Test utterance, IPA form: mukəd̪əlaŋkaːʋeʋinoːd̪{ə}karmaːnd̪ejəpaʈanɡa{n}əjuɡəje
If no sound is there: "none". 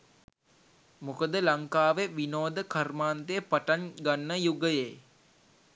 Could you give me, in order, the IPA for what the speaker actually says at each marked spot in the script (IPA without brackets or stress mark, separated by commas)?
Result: ə, nː